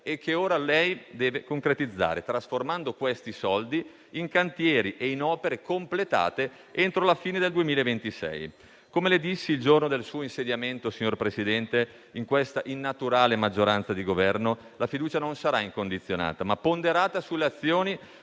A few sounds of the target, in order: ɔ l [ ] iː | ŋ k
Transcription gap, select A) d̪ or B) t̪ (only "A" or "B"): A